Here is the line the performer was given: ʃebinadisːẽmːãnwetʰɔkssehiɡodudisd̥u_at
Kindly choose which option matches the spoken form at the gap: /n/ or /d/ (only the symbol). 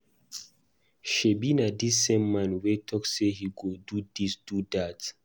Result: d